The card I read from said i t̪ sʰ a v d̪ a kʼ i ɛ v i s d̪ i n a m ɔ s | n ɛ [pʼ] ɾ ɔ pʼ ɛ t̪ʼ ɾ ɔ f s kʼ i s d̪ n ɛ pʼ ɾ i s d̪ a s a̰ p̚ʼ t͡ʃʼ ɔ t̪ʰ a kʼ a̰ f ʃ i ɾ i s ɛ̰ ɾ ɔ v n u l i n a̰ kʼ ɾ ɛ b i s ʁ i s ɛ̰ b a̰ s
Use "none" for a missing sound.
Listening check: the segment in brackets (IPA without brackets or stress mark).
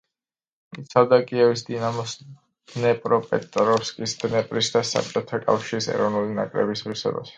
pʼ